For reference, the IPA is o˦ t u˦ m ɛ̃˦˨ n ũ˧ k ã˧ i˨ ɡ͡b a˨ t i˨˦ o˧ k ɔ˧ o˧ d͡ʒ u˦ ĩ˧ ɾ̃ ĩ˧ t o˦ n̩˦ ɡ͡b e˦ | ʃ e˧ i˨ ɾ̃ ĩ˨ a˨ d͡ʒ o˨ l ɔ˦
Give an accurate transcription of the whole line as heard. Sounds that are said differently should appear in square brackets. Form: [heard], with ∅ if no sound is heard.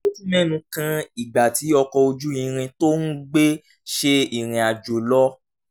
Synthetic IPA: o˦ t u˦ m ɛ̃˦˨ n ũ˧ k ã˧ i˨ ɡ͡b a˨ t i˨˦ [ɔ˧] k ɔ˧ o˧ d͡ʒ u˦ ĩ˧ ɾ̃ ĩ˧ t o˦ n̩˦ ɡ͡b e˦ | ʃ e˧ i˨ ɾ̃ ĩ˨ a˨ d͡ʒ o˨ l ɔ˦